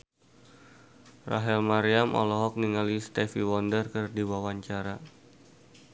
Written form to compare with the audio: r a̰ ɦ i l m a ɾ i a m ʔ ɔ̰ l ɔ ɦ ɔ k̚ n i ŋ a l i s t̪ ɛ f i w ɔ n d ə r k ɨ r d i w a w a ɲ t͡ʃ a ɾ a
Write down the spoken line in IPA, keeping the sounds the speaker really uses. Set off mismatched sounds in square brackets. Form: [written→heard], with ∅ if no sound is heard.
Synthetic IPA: r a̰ ɦ [i→ɛ] l m a ɾ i a m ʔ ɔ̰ l ɔ ɦ ɔ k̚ n i ŋ a l i s t̪ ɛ f i w ɔ n d ə r k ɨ r d i w a w a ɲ t͡ʃ a ɾ a